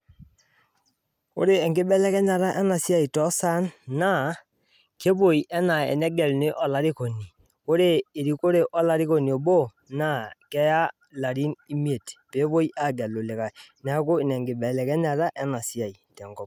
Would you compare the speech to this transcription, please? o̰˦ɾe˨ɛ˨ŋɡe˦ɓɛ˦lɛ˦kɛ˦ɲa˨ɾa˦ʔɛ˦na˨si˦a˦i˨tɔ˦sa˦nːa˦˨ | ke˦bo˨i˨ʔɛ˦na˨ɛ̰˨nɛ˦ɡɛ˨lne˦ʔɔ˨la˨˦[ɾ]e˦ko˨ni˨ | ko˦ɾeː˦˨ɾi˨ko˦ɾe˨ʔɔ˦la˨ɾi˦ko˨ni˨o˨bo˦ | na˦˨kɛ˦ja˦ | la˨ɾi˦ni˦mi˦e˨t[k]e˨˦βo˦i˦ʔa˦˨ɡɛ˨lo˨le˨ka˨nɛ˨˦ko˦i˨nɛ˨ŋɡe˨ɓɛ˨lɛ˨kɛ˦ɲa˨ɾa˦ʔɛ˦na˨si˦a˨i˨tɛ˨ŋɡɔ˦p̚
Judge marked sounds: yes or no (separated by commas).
yes, no